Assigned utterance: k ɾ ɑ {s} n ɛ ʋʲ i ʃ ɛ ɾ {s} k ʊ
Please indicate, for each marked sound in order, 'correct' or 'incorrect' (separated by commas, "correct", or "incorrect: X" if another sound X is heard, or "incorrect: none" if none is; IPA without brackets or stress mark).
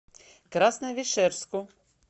correct, correct